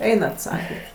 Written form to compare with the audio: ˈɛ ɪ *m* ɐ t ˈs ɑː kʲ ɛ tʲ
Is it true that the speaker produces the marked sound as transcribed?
no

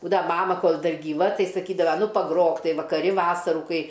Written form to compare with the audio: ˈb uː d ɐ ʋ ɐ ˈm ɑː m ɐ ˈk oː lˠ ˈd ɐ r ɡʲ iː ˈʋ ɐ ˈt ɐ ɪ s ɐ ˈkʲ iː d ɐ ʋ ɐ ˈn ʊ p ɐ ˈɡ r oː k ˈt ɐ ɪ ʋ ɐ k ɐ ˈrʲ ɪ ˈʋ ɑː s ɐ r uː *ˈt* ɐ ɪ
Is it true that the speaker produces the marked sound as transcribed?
no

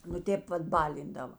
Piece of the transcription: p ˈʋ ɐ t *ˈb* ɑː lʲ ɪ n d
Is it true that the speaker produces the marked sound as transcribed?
yes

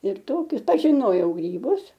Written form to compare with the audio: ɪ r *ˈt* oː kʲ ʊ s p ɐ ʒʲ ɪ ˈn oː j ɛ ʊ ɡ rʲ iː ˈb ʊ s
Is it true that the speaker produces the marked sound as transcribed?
yes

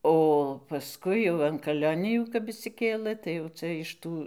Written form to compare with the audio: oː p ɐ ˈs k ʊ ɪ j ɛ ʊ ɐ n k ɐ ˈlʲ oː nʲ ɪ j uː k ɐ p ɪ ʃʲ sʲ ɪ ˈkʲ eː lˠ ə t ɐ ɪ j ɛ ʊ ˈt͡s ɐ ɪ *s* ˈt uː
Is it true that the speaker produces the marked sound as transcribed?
no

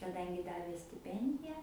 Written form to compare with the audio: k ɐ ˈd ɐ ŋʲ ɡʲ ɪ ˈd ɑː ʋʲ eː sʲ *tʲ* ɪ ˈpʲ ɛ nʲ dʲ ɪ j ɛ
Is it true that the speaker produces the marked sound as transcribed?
yes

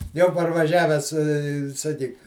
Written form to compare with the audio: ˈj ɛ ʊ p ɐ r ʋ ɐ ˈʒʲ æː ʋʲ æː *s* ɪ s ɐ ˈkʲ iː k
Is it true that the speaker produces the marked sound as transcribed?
yes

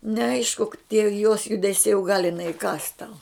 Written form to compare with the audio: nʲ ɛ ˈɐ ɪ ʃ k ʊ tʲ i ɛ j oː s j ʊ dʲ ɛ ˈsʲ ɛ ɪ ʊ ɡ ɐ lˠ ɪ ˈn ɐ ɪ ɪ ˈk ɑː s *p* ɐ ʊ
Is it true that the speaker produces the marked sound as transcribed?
no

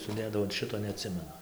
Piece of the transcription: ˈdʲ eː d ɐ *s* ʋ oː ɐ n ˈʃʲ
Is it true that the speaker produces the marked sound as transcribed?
no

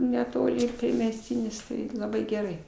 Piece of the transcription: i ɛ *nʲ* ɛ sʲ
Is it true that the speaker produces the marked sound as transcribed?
no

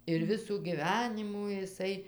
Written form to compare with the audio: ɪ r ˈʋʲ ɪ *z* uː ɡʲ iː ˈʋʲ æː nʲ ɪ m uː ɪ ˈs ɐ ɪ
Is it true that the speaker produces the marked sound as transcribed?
no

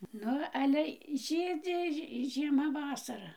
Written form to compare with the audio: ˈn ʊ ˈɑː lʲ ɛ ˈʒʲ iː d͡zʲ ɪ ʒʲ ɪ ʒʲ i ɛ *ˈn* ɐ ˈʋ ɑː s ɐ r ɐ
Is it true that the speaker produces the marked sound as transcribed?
no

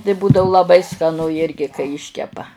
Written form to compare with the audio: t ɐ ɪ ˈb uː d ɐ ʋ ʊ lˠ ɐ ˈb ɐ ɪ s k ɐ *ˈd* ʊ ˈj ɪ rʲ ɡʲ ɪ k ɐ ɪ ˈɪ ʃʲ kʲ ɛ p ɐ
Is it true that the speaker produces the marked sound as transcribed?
no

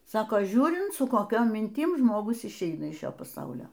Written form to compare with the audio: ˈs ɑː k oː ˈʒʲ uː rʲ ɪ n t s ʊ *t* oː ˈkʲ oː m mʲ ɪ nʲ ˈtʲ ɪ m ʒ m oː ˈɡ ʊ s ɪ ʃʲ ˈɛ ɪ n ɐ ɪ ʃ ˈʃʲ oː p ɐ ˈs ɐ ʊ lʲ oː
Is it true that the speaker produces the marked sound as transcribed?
no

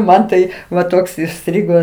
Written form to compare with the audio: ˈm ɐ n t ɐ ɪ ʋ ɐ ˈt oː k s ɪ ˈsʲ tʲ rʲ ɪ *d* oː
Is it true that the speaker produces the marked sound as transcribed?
no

